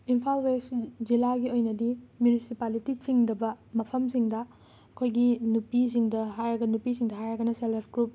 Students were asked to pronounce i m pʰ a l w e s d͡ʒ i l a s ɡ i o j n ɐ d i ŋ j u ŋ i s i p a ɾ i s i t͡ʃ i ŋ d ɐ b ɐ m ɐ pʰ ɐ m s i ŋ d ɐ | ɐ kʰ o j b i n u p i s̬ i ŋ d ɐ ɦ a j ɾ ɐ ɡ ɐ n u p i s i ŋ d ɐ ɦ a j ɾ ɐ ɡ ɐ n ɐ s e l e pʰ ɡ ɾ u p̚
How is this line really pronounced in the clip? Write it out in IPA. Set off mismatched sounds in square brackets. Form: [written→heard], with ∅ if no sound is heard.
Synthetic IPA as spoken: i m pʰ a l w e s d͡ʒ i l a [s→∅] ɡ i o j n ɐ d i [ŋ→m] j u [ŋ→n] i s i p a [ɾ→l] i [s→t] i t͡ʃ i ŋ d ɐ b ɐ m ɐ pʰ ɐ m s i ŋ d ɐ | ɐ kʰ o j [b→ɡ] i n u p i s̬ i ŋ d ɐ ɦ a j ɾ ɐ ɡ ɐ n u p i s i ŋ d ɐ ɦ a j ɾ ɐ ɡ ɐ n ɐ s e l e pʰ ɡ ɾ u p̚